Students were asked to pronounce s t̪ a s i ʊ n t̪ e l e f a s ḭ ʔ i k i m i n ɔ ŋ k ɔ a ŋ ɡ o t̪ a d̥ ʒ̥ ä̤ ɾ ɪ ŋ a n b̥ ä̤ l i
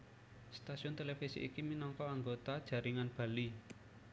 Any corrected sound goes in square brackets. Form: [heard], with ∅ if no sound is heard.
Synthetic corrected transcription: s t̪ a s i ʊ n t̪ e l e f [i] s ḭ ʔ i k i m i n ɔ ŋ k ɔ a ŋ ɡ o t̪ a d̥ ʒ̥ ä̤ ɾ [i] ŋ a n b̥ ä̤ l i